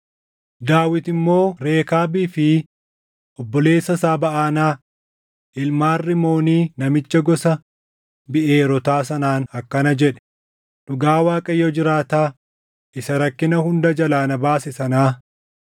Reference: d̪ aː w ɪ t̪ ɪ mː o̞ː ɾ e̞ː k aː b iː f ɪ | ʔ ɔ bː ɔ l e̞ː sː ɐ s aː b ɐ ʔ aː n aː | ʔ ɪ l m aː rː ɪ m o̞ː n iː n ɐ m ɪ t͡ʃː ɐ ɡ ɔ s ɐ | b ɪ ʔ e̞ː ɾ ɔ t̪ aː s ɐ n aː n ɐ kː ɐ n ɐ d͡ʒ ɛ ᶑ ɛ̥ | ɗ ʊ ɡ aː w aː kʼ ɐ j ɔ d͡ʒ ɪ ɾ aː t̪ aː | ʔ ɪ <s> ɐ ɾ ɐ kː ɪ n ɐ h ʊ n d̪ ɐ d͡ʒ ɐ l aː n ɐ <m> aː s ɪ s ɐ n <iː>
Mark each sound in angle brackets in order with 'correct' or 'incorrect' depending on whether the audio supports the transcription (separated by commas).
correct, incorrect, incorrect